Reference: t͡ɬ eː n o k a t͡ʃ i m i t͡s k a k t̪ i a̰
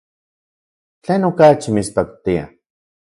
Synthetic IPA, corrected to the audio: t͡ɬ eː n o k a t͡ʃ i m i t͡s p a k t̪ i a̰